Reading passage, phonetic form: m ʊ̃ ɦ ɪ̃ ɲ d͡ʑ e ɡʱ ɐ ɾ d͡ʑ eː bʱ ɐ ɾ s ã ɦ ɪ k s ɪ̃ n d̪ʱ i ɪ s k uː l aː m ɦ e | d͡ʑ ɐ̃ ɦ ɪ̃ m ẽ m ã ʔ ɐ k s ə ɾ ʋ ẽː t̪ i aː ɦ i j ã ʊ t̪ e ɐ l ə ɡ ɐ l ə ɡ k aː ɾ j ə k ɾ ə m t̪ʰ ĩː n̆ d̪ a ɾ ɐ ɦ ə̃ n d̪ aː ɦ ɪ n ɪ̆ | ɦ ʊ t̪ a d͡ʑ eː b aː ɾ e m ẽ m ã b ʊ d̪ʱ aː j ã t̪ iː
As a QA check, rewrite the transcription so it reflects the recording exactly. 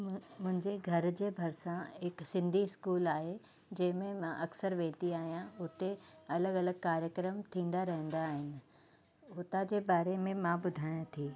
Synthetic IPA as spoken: m ʊ̃ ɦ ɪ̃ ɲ d͡ʑ e ɡʱ ɐ ɾ d͡ʑ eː bʱ ɐ ɾ s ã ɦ ɪ k s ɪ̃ n d̪ʱ i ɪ s k uː l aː ɦ e | d͡ʑ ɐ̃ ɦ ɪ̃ m ẽ m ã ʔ ɐ k s ə ɾ ʋ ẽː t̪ i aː ɦ i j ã ʊ t̪ e ɐ l ə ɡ ɐ l ə ɡ k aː ɾ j ə k ɾ ə m t̪ʰ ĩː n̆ d̪ a ɾ ɐ ɦ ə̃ n d̪ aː ɦ ɪ n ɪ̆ | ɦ ʊ t̪ a d͡ʑ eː b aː ɾ e m ẽ m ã b ʊ d̪ʱ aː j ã t̪ʰ iː